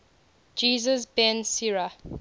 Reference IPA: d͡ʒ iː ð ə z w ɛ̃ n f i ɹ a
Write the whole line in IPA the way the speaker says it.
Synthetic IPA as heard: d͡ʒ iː z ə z b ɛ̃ n s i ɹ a